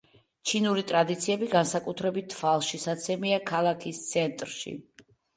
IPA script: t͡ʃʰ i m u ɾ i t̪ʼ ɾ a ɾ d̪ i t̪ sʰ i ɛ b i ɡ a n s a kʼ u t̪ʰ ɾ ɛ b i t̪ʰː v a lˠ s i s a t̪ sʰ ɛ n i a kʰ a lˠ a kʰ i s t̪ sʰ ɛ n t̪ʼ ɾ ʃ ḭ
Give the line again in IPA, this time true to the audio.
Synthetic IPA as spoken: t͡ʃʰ i n u ɾ i t̪ʼ ɾ a d̪ i t̪ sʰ i ɛ b i ɡ a n s a kʼ u t̪ʰ ɾ ɛ b i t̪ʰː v a lˠ ʃ i s a t̪ sʰ ɛ m i a kʰ a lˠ a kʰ i s t̪ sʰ ɛ n t̪ʼ ɾ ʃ ḭ